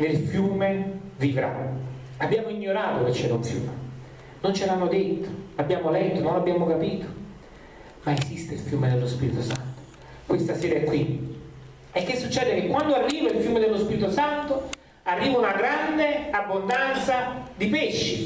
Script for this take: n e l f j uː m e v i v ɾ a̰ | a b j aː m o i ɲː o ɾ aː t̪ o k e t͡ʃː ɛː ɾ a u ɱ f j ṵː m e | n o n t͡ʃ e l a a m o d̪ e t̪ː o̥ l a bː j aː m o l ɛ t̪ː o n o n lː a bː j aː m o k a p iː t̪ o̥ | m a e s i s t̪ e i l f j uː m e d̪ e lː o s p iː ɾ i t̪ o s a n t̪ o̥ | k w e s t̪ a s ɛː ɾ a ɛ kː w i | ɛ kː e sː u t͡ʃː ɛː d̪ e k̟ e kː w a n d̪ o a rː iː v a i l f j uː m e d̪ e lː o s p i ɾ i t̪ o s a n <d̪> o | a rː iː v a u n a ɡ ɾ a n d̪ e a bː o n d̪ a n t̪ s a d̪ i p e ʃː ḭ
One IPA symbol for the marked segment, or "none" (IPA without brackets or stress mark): t̪